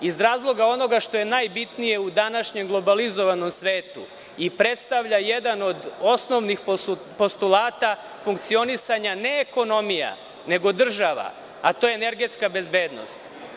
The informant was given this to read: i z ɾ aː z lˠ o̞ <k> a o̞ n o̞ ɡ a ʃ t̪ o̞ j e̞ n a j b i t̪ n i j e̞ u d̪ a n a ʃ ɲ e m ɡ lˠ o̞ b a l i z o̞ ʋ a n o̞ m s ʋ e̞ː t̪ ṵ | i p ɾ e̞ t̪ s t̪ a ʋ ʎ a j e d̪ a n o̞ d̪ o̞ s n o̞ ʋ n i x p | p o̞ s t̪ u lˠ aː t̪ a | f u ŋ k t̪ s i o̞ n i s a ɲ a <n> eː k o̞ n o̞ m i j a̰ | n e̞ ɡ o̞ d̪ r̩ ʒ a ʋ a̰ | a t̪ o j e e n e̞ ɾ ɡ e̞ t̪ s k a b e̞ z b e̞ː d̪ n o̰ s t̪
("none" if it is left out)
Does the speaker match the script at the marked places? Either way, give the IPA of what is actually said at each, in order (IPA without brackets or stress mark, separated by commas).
ɡ, n